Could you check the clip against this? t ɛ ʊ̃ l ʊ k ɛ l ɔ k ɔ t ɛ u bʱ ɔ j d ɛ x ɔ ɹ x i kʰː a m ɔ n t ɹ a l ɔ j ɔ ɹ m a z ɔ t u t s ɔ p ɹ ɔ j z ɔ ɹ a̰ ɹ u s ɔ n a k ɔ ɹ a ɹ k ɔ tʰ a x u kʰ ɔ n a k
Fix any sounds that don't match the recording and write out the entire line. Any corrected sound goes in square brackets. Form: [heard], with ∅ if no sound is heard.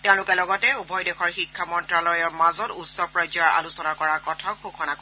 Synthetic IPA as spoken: t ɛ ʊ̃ l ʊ k ɛ l ɔ [ɡ] ɔ t ɛ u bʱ ɔ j d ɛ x ɔ ɹ x i kʰː a m ɔ n t ɹ a l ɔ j ɔ ɹ m a z ɔ t u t s ɔ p ɹ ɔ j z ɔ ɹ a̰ [l] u s ɔ n a k ɔ ɹ a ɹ k ɔ tʰ a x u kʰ ɔ n a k

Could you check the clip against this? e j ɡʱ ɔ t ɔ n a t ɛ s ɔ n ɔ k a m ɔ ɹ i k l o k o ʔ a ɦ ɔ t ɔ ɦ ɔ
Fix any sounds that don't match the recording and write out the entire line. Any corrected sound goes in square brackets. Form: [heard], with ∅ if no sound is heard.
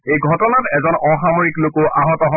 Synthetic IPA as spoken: e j ɡʱ ɔ t ɔ n a t ɛ [z] ɔ n ɔ [x] a m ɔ ɹ i k l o k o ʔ a ɦ ɔ t ɔ ɦ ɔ

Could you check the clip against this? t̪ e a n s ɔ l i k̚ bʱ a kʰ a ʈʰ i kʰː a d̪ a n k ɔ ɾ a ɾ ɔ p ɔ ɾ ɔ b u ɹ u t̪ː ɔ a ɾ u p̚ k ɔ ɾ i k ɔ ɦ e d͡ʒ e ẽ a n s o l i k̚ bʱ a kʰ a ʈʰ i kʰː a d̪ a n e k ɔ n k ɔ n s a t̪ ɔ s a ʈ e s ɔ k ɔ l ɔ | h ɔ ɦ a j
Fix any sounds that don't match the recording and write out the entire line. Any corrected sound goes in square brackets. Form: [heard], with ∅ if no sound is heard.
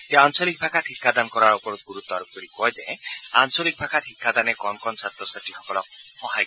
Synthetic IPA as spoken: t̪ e a n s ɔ l i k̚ bʱ a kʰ a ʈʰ i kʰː a d̪ a n k ɔ ɾ a ɾ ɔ p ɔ ɾ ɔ [ɡ] u [ɾ] u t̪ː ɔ a ɾ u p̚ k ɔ ɾ i k ɔ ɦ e d͡ʒ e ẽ a n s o l i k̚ bʱ a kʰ a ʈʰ i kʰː a d̪ a n e k ɔ n k ɔ n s a t̪ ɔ s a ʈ [i] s ɔ k ɔ l ɔ | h ɔ ɦ a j

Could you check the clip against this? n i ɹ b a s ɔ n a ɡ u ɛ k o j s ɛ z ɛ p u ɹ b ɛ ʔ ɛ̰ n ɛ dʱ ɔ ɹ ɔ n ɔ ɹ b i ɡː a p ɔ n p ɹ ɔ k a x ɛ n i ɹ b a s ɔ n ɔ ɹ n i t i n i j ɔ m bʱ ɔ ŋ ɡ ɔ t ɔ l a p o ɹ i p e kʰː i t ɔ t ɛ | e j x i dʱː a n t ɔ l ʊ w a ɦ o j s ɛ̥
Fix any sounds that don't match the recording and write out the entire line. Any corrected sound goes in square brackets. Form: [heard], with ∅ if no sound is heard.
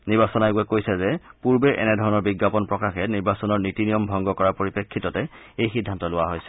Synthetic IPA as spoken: n i ɹ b a s ɔ n a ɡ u ɛ k o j s ɛ z ɛ p u ɹ b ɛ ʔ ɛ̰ n ɛ dʱ ɔ ɹ ɔ n ɔ ɹ b i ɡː a p ɔ n p ɹ ɔ k a x ɛ n i ɹ b a s ɔ n ɔ ɹ n i t i n i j ɔ m bʱ ɔ ŋ ɡ ɔ [k] ɔ [ɹ] a p o ɹ i p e kʰː i t ɔ t ɛ | e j x i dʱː a n t ɔ l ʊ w a ɦ o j s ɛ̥

